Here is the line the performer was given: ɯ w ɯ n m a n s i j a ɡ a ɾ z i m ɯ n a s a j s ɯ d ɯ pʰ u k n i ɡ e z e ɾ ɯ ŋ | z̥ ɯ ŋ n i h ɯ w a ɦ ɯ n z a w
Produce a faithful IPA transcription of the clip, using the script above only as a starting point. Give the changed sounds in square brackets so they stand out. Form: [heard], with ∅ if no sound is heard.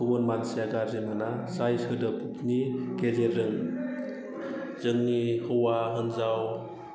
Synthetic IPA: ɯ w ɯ n m a n s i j a ɡ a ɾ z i m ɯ n a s a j s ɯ d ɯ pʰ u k n i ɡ e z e ɾ ɯ ŋ | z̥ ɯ ŋ n i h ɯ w a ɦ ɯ n z a w